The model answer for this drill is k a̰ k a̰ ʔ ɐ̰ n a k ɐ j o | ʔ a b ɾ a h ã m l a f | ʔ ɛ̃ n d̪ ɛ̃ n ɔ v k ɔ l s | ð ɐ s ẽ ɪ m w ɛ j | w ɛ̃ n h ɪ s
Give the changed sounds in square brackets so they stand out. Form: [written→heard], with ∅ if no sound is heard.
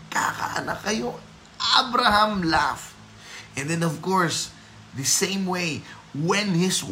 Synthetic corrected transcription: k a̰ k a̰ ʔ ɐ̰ n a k ɐ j o | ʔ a b ɾ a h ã m l a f | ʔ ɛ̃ n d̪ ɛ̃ n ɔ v k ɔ [l→ɹ] s | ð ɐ s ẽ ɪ m w [ɛ→e] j | w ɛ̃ n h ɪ s